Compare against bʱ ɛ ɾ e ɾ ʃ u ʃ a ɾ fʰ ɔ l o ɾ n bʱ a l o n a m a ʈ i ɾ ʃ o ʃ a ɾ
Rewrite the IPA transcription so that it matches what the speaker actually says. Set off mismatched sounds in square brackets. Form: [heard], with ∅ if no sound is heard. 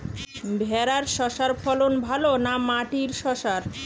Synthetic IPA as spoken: bʱ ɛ ɾ [a] ɾ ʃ [ɔ] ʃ a ɾ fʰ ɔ l o [∅] n bʱ a l o n a m a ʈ i ɾ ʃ [ɔ] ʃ a ɾ